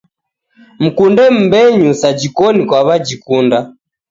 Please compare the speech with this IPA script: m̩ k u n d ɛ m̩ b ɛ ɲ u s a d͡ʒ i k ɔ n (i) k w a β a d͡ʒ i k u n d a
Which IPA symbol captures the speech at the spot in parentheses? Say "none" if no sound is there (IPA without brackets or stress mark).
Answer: i